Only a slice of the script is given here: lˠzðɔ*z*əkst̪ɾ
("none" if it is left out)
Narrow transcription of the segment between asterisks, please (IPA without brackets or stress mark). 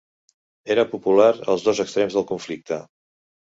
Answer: z